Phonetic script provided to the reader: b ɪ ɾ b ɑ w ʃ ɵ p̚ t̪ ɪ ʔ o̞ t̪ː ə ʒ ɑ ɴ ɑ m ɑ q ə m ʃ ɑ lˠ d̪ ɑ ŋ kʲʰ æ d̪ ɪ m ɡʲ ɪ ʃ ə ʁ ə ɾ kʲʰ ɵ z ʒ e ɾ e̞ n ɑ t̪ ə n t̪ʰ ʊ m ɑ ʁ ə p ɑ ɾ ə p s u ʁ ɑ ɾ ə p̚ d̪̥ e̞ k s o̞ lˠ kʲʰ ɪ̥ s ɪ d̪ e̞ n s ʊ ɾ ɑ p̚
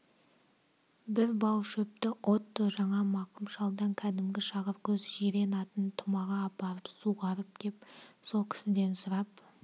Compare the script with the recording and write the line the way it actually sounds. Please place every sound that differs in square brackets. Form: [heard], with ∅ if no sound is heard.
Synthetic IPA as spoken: b ɪ ɾ b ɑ w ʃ ɵ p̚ t̪ ɪ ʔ o̞ t̪ː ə ʒ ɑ ɴ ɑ m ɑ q ə m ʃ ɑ lˠ d̪ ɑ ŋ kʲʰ æ d̪ ɪ m ɡʲ ɪ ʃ [ɑ] ʁ ə ɾ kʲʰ ɵ z ʒ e ɾ e̞ n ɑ t̪ ə n t̪ʰ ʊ m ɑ ʁ [ɑ] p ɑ ɾ ə p s u ʁ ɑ ɾ ə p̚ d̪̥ e̞ [p] s o̞ lˠ kʲʰ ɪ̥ s ɪ d̪ e̞ n s ʊ ɾ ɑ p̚